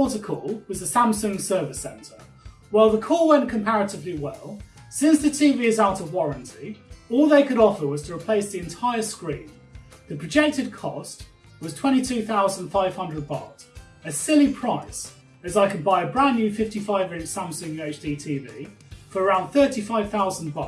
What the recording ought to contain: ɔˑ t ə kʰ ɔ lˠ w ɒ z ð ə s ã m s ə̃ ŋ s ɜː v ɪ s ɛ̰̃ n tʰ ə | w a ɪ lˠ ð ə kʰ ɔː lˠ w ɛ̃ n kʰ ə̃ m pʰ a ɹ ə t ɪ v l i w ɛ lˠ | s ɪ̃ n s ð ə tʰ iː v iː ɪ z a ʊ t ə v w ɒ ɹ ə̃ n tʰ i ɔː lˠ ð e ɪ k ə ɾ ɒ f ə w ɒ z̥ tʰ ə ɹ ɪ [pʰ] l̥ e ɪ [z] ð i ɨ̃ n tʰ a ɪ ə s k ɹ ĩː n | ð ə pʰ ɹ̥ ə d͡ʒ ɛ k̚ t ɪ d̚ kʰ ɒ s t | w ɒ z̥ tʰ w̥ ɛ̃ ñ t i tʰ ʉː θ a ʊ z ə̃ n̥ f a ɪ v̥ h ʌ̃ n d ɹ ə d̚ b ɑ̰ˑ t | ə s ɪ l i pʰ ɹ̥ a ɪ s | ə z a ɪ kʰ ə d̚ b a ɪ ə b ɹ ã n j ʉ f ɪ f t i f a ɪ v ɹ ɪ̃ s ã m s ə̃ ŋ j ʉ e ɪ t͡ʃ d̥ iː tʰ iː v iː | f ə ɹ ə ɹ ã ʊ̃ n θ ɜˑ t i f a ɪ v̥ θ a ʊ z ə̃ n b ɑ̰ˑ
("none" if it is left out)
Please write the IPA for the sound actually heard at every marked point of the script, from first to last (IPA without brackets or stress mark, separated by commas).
pʰ, s